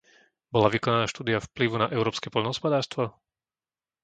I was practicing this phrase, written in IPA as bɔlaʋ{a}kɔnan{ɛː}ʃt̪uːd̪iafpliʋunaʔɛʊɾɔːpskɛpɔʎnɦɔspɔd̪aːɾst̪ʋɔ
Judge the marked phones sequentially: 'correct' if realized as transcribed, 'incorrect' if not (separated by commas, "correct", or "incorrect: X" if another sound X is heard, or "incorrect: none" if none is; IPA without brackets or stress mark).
incorrect: i, incorrect: aː